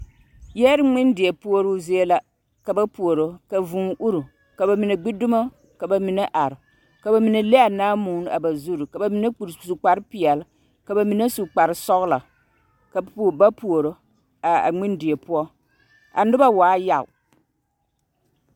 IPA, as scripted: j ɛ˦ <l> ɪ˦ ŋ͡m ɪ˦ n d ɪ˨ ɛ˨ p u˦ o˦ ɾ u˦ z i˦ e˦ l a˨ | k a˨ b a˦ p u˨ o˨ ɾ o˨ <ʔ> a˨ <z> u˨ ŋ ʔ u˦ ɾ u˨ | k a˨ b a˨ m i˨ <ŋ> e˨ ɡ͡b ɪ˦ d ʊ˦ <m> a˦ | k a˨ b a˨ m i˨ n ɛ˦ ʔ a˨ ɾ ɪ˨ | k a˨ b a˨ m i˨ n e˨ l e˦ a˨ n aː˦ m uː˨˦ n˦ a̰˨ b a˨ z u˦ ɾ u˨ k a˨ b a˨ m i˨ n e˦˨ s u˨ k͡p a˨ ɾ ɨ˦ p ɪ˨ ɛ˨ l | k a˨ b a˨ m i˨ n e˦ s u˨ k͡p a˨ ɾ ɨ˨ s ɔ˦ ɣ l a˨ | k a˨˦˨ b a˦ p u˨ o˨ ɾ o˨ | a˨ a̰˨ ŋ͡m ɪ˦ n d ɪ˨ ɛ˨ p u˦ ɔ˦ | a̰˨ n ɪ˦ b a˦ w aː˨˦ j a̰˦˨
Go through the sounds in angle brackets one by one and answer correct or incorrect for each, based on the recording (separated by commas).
incorrect, incorrect, incorrect, incorrect, correct